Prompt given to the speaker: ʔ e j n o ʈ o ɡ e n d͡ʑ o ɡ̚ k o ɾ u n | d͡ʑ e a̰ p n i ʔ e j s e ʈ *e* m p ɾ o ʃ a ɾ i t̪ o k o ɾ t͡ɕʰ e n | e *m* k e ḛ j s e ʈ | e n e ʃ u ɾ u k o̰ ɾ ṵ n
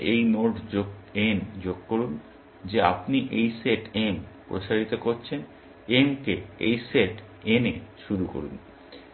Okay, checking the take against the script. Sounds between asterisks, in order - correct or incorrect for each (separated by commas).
correct, correct